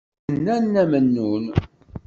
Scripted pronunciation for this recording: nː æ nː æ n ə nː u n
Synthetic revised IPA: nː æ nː æ m ə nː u n

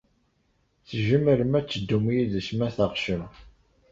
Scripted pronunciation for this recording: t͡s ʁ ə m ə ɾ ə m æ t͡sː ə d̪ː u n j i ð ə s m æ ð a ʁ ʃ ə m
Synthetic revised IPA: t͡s ʒ ə m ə ɾ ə m æ t͡sː ə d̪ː u m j i ð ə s m æ θ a ʁ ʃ ə m

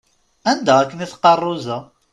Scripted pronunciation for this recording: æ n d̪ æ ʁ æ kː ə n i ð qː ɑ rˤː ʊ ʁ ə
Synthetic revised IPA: æ n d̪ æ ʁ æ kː ə n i θ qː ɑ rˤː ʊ z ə

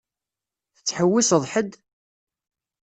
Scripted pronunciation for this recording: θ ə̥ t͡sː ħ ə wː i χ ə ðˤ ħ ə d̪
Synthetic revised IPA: θ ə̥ t͡sː ħ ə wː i s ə ðˤ ħ ə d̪

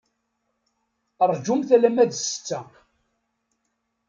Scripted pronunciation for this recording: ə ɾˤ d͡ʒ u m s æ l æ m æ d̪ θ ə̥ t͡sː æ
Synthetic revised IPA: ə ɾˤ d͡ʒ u m θ æ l æ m æ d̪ s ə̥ t͡sː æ

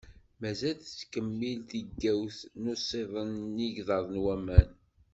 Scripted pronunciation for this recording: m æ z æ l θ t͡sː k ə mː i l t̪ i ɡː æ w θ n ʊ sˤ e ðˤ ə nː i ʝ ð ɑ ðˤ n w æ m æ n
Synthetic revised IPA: m æ z æ l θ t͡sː k ə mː i l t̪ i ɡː æ w θ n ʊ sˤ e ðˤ ə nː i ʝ ð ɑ ðˤ n w æ m æ n

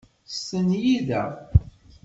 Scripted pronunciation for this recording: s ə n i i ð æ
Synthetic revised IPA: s ə n j i ð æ

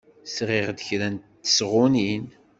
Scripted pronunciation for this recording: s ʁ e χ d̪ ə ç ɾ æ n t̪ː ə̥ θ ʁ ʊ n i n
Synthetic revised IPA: s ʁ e ʁ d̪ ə ç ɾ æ n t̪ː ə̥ s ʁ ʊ n i n

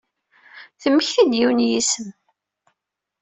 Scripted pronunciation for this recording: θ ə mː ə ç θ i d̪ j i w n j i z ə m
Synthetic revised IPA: θ ə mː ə ç θ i d̪ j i w n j i s ə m

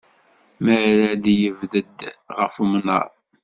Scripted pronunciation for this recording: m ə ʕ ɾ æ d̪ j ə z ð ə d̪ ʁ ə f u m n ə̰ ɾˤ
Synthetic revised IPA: m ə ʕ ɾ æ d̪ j ə v ð ə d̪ ʁ ə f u m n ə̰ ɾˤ

